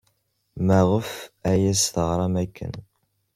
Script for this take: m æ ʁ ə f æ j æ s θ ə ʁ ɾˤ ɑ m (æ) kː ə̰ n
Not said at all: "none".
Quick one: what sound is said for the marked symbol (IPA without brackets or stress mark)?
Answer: æ